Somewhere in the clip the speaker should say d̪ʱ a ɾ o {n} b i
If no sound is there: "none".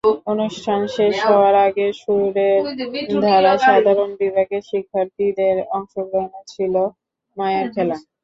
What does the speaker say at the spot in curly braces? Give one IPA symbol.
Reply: n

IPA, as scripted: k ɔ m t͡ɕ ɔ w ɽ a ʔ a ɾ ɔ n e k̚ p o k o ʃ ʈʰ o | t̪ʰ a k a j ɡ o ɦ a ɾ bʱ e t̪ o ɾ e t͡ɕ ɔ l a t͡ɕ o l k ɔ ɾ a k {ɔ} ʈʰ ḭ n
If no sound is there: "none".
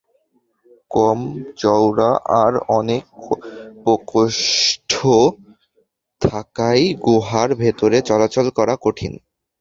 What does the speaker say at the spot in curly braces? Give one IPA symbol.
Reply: o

